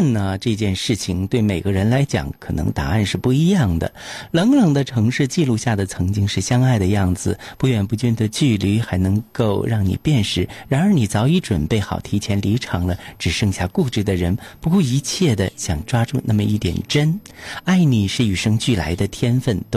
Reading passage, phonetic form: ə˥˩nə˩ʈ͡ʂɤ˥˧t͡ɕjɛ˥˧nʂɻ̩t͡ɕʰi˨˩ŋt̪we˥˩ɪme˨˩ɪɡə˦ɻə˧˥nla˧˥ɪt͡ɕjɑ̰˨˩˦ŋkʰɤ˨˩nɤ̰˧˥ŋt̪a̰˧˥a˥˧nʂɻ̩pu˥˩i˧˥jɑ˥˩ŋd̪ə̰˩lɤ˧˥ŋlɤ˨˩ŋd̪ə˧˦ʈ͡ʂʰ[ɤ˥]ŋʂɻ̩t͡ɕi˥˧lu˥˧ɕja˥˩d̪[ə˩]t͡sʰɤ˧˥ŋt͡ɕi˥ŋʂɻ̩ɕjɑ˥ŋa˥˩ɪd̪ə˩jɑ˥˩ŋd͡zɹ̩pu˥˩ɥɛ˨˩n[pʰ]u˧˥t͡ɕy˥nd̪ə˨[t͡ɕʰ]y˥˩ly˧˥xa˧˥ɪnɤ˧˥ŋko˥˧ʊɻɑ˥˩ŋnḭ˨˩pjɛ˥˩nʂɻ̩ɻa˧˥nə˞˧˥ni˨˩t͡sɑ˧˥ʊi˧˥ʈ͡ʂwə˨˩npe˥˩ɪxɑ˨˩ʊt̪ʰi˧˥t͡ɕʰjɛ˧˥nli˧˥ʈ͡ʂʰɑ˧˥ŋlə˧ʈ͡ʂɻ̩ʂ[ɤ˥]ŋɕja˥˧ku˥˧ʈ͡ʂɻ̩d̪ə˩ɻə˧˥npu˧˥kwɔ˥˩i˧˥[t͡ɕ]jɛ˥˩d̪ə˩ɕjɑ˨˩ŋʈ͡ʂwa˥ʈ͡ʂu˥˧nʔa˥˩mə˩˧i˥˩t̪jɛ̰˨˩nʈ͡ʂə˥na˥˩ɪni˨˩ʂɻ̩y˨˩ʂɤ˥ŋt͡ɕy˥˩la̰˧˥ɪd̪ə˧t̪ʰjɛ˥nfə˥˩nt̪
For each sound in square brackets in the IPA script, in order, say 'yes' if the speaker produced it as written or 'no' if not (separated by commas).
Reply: no, yes, no, no, no, no